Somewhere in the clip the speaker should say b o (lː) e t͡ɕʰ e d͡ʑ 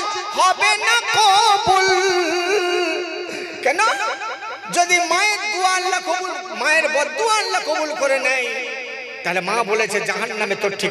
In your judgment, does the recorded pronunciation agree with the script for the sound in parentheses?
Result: no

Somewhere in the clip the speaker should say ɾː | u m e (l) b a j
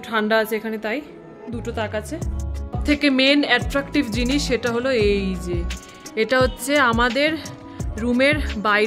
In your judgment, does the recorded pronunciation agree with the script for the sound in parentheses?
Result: no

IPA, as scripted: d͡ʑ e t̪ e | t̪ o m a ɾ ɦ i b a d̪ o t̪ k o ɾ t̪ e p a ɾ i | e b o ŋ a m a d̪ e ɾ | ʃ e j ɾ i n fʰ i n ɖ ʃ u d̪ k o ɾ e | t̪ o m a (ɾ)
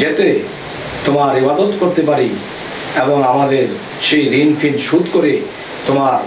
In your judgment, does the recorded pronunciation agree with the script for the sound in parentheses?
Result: yes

